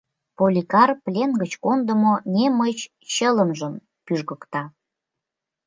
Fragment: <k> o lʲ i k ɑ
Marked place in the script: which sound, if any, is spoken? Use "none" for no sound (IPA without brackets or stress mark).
p